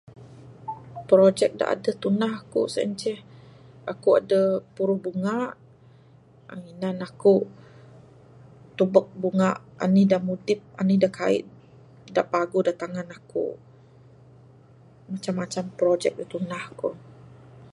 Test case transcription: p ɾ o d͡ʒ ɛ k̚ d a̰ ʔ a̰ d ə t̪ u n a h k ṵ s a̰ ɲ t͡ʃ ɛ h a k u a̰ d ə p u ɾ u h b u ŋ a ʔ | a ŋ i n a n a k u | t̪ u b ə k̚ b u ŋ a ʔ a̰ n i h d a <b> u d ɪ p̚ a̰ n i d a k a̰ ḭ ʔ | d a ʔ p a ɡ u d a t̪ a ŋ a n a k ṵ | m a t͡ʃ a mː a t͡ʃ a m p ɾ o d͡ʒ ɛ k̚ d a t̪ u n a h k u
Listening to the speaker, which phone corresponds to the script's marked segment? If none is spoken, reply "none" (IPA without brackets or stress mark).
m